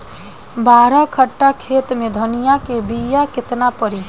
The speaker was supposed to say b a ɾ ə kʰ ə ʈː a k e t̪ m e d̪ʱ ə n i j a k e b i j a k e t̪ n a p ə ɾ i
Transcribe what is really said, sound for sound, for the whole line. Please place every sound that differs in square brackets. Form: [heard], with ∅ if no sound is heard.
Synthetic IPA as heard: b a ɾ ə kʰ ə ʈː a [kʰ] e t̪ m e d̪ʱ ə n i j a k e b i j a k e t̪ n a p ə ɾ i